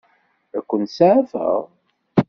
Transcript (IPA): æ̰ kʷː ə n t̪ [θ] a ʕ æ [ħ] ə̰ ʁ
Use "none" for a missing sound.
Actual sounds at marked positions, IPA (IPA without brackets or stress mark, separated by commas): s, f